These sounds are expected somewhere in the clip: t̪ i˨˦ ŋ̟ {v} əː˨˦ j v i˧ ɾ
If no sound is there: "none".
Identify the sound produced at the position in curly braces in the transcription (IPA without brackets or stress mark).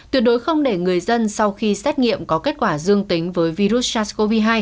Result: v